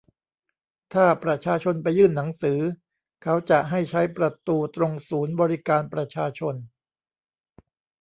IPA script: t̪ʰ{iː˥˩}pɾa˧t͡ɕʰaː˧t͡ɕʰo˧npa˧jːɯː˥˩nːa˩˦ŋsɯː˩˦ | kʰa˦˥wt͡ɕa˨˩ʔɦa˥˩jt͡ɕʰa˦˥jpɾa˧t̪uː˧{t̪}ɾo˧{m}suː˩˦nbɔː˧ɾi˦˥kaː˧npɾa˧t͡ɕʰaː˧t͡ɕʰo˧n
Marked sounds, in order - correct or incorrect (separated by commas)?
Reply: incorrect, correct, incorrect